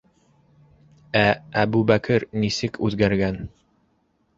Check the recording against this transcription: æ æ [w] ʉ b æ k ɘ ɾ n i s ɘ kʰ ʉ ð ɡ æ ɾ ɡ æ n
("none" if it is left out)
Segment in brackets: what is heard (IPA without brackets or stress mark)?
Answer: b